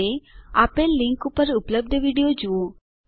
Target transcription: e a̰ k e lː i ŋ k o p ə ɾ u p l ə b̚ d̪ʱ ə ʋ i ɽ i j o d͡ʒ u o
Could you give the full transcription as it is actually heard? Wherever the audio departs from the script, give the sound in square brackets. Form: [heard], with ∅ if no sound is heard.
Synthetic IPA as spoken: e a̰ [p] e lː i ŋ k [u] p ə ɾ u p l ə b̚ d̪ʱ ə ʋ i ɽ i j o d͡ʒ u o